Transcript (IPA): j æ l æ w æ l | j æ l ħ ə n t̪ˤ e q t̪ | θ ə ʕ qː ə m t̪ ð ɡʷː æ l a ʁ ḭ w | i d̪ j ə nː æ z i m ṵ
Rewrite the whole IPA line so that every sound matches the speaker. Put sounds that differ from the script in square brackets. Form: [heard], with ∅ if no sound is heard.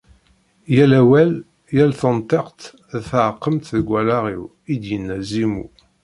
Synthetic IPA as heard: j æ l æ w æ l | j æ l [θ] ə n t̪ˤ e q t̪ | θ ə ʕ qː ə m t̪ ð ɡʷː æ l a ʁ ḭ w | i d̪ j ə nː æ z i m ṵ